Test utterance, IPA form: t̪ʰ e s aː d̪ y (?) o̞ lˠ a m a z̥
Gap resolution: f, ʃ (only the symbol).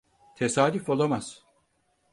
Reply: f